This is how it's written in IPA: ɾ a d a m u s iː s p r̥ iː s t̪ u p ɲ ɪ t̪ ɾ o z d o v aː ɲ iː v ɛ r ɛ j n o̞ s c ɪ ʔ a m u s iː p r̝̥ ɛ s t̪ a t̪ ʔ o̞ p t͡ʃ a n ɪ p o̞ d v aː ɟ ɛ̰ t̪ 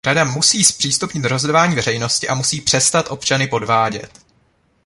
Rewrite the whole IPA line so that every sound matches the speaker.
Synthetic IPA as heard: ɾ a d a m u s iː s p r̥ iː s t̪ u p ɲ ɪ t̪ ɾ o z d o v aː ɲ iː v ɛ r ɛ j n o̞ s c ɪ ʔ a m u s iː p r̝̥ ɛ s t̪ a t̪ ʔ o̞ p t͡ʃ a n ɪ p o̞ d v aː ɟ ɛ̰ t̪